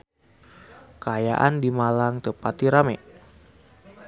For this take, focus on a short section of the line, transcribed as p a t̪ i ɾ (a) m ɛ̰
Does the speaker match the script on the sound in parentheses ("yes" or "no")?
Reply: yes